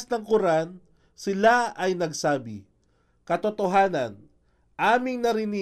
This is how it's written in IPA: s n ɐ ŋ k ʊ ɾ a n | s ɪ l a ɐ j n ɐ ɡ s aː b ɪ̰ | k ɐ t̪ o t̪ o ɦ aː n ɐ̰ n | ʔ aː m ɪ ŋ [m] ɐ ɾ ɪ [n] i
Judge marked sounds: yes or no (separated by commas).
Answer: no, yes